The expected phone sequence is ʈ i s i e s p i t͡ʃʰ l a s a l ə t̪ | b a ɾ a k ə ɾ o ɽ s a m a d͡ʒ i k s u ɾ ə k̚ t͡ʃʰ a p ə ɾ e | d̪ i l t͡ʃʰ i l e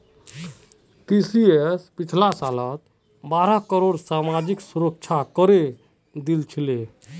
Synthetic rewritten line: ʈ i s i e s p i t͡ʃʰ l a s a l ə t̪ | b a ɾ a k ə ɾ o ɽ s a m a d͡ʒ i k s u ɾ ə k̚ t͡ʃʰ a k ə ɾ e | d̪ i l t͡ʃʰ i l e